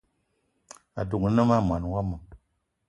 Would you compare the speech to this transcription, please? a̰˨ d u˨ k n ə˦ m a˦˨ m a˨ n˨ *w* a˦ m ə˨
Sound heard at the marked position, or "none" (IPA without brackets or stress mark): w